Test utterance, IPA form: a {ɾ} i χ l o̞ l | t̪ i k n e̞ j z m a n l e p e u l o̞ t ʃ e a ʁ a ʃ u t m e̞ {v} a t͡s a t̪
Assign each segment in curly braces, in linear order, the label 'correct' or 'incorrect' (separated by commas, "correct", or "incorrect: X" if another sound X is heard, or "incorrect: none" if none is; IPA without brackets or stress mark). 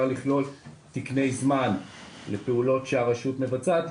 incorrect: l, correct